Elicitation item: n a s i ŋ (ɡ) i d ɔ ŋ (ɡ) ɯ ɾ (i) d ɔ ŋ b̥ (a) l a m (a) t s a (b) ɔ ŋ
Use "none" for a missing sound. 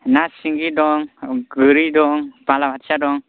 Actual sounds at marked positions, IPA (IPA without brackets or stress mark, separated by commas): ɡ, ɡ, i, a, a, d